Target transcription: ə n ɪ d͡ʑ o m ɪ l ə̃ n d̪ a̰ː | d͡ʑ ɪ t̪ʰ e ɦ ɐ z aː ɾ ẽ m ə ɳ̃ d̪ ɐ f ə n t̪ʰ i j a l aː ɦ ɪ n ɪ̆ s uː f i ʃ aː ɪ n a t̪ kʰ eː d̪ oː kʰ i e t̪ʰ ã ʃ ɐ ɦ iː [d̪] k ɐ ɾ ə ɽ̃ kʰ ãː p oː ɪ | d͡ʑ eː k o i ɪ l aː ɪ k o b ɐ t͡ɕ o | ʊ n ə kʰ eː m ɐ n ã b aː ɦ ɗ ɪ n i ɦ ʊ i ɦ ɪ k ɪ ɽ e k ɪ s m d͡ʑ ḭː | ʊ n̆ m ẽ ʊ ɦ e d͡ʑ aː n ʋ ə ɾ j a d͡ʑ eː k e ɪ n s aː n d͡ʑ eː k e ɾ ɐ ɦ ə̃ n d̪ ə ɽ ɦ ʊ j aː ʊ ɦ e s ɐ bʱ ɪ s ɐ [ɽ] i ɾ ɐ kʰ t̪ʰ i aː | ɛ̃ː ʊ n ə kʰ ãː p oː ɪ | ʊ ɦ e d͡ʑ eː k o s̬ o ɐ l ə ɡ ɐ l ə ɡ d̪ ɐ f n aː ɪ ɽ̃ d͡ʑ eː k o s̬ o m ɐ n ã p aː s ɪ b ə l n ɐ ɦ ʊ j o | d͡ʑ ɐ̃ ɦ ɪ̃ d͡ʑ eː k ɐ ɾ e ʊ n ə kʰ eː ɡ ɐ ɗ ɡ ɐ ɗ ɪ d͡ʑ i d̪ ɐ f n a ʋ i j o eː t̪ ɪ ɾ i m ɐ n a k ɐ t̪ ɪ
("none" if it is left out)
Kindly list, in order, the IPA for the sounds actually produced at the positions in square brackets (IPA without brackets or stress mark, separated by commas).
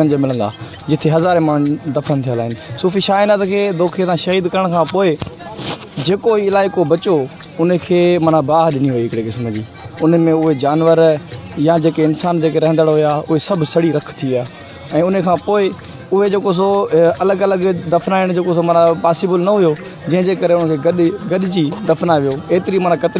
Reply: d̪, ɽ